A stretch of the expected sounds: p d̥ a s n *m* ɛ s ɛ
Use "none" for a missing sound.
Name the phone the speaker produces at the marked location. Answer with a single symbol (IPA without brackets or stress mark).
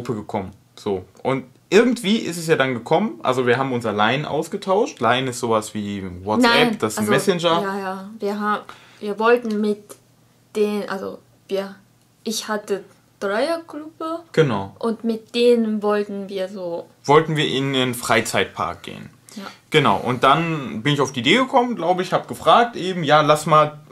m